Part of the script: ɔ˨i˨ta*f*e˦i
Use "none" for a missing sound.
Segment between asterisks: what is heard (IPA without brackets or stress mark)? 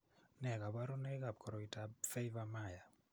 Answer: f